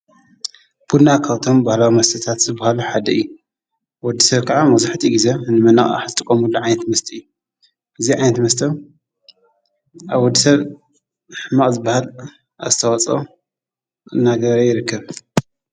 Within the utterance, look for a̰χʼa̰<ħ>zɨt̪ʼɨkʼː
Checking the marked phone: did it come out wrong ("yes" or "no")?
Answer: no